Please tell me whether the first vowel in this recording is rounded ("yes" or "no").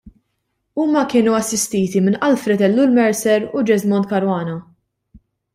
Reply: yes